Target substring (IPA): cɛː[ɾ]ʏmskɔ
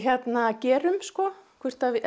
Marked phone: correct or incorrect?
correct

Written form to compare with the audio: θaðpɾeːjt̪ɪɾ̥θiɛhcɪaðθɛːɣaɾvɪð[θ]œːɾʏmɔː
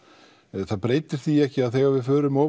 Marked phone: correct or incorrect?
incorrect: f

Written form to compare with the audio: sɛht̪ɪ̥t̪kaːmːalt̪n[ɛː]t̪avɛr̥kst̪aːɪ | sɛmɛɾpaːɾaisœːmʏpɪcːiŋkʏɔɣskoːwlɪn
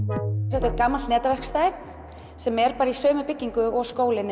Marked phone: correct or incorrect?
correct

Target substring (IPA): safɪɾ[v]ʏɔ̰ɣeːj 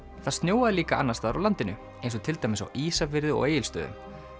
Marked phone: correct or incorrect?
incorrect: ð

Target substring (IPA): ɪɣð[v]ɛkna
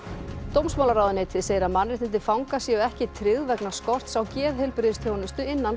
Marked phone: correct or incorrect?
correct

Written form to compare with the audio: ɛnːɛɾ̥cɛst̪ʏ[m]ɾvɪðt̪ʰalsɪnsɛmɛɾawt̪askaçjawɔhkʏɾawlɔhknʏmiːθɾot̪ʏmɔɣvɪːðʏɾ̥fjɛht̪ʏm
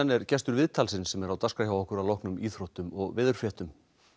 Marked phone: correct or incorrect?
incorrect: none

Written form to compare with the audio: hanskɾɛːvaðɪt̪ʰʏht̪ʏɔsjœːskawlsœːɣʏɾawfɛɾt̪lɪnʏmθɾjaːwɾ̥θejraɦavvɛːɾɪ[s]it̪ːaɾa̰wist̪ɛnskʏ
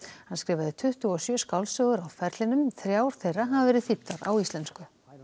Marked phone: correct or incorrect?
incorrect: θ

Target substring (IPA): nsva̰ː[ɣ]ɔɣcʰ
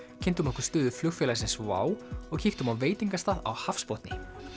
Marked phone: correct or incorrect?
incorrect: w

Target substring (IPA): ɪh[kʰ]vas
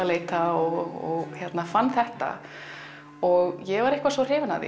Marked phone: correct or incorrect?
incorrect: k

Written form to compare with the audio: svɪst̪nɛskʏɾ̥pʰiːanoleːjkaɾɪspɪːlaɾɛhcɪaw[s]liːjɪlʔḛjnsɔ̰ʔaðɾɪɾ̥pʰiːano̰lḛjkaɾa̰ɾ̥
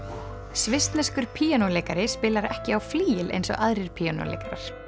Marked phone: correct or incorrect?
incorrect: f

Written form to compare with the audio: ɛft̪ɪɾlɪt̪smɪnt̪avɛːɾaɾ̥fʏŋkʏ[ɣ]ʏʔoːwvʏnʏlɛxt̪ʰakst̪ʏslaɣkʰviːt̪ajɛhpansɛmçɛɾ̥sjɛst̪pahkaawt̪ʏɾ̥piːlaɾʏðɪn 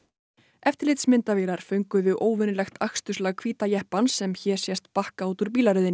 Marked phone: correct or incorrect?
incorrect: ð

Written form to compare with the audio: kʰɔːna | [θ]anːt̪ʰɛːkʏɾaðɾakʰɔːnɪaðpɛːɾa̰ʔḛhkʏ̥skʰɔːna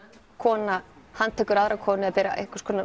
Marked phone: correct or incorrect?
incorrect: h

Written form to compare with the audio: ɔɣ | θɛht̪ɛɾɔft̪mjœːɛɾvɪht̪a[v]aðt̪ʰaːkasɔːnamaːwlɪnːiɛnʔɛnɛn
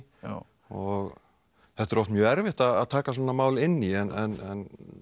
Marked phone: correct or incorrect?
incorrect: ð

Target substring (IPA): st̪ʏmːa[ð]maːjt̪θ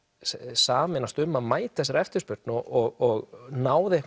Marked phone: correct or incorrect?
correct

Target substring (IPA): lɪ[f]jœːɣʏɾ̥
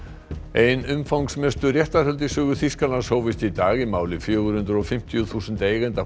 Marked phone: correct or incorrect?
correct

